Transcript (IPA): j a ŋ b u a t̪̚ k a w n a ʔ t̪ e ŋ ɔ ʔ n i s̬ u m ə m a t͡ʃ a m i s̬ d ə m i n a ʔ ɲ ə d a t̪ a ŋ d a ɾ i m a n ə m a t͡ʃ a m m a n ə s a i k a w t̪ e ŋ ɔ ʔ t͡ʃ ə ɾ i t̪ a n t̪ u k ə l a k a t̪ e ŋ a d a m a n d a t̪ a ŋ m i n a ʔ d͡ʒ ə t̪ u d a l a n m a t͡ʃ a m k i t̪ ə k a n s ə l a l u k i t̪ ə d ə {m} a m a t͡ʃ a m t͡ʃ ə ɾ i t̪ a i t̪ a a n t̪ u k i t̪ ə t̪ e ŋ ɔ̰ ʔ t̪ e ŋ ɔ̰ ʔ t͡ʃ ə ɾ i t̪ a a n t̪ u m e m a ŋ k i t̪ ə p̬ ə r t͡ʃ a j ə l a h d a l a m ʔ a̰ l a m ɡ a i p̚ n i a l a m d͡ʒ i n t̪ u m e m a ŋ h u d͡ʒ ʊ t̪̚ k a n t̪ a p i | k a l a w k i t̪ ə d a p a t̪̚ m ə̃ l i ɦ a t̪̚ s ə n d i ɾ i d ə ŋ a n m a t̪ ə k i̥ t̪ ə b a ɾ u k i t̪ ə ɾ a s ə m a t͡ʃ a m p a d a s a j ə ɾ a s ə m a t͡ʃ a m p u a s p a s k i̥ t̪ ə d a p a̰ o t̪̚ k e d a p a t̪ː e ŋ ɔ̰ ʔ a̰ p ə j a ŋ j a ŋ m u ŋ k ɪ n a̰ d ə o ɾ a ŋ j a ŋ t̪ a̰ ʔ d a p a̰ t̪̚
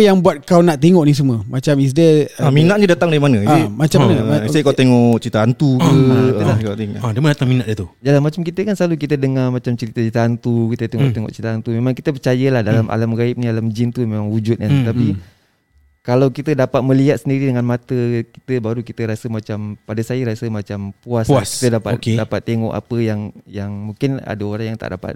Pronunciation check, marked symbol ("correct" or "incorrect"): incorrect